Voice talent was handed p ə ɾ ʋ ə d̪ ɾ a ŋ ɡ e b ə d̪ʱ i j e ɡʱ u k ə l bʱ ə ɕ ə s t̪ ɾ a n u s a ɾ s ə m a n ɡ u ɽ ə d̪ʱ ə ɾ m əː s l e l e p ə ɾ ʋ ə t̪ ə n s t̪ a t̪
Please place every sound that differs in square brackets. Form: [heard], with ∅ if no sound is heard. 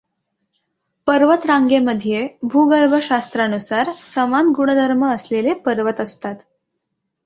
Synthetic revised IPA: p ə ɾ ʋ ə [t̪] ɾ a ŋ ɡ e [m] ə d̪ʱ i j e [bʱ] u [ɡ] ə [ɾ] bʱ ə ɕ [a] s t̪ ɾ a n u s a ɾ s ə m a n ɡ u ɽ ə d̪ʱ ə ɾ m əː s l e l e p ə ɾ ʋ ə t̪ ə [∅] s t̪ a t̪